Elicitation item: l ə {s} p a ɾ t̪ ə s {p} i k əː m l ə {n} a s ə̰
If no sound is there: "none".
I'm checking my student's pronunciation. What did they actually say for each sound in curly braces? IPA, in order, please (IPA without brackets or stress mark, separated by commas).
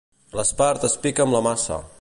s, p, m